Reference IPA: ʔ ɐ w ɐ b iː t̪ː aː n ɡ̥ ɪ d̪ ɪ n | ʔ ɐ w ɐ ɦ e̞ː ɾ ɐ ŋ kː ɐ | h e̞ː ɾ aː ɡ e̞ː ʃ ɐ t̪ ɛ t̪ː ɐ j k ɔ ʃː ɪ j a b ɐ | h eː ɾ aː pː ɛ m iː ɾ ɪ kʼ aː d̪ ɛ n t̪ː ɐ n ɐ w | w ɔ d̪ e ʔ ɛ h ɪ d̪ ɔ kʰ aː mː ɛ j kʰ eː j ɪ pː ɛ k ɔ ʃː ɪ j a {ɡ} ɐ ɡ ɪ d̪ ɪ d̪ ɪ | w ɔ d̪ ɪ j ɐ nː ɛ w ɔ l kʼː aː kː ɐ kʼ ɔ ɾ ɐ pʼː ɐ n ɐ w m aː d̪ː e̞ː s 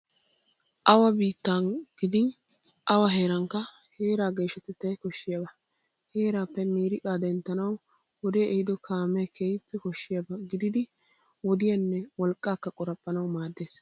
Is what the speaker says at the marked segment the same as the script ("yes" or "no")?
no